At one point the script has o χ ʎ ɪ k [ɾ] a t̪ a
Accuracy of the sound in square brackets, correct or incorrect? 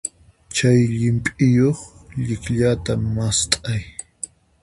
incorrect